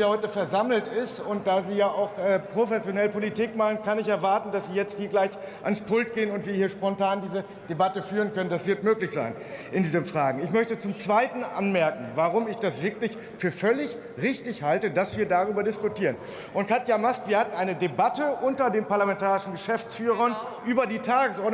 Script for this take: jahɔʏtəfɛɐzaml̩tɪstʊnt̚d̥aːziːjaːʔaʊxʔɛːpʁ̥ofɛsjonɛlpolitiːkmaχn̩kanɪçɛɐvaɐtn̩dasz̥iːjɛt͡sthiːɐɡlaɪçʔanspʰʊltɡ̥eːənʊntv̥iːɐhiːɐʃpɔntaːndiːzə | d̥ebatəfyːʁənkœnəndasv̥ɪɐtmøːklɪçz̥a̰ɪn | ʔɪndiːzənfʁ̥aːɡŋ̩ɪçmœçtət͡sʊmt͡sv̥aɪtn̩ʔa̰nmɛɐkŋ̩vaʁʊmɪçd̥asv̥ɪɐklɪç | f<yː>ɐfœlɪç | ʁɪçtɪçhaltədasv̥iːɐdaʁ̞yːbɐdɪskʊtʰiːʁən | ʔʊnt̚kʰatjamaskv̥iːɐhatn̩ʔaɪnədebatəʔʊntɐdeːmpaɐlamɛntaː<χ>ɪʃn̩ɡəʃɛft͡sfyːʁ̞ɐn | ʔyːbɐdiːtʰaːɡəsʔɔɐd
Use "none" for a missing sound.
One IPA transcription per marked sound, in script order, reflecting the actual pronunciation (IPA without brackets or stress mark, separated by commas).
yː, ʁ